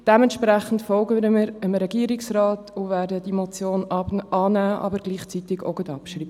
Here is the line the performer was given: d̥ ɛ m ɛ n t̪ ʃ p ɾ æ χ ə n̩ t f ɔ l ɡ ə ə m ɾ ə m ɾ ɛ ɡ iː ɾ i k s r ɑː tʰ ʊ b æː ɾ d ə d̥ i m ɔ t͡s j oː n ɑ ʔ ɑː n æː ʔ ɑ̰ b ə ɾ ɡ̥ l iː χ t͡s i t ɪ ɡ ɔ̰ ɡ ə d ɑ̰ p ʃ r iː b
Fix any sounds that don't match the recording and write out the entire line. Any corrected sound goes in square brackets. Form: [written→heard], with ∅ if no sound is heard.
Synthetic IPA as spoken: d̥ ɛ m ɛ n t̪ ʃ p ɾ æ χ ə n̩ t f ɔ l ɡ ə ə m ɾ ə m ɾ ɛ ɡ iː ɾ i k s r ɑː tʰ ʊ [b→v] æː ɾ d ə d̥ i m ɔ t͡s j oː n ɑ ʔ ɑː n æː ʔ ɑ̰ b ə ɾ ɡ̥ l iː χ t͡s i t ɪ ɡ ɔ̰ ɡ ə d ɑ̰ p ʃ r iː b